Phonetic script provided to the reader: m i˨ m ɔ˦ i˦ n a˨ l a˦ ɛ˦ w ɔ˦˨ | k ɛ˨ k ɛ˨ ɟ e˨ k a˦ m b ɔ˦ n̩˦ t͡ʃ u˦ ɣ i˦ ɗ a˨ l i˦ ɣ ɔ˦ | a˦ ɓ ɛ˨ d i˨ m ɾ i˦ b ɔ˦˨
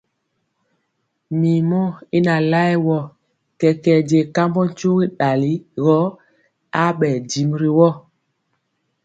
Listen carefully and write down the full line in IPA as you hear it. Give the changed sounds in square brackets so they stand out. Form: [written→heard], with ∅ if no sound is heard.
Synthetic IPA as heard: m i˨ m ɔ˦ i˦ n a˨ l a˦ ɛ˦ w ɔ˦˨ | k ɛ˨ k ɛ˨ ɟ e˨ k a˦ m b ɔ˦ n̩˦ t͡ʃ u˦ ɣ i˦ ɗ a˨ l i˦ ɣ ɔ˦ | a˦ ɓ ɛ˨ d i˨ m ɾ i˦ [b→w] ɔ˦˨

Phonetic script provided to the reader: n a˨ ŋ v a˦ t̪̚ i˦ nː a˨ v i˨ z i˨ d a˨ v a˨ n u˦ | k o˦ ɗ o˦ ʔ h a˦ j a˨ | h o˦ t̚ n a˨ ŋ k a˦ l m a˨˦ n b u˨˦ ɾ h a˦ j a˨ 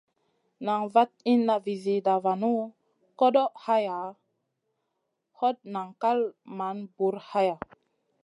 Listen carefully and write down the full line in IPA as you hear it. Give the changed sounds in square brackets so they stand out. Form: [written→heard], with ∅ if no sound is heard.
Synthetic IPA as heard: n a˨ ŋ v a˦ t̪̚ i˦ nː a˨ v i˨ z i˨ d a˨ v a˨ n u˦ | k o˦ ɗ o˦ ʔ h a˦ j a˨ | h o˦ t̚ n a˨ ŋ k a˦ l m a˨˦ n b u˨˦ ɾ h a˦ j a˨

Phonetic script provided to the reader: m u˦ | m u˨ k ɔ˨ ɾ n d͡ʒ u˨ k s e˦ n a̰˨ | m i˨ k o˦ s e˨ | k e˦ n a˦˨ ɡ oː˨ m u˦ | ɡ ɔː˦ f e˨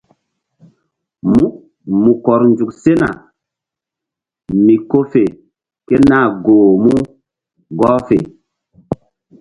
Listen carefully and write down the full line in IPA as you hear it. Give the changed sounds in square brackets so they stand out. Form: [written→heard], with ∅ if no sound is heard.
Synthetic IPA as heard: m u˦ | m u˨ k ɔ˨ ɾ n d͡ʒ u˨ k s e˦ n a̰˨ | m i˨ k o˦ [s→f] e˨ | k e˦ n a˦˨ ɡ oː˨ m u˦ | ɡ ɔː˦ f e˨

